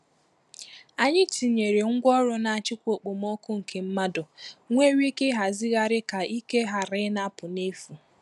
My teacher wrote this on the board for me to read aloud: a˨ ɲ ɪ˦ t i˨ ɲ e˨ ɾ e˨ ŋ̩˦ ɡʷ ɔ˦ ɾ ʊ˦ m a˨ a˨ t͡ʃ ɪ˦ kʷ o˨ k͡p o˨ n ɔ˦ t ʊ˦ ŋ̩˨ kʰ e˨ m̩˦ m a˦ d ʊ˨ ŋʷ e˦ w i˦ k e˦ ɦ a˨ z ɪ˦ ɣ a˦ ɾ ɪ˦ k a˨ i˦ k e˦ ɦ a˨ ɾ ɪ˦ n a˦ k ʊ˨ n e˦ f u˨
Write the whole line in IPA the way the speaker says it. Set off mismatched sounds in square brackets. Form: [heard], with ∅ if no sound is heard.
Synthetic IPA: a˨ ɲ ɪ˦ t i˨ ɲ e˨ ɾ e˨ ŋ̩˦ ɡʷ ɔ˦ ɾ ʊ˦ [n] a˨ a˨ t͡ʃ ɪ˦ kʷ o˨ k͡p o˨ [m] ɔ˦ [k] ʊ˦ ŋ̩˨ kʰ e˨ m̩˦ m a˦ d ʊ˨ ŋʷ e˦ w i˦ k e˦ ɦ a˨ z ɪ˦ ɣ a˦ ɾ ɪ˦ k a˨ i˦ k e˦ ɦ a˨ ɾ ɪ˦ n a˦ [p] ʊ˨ n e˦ f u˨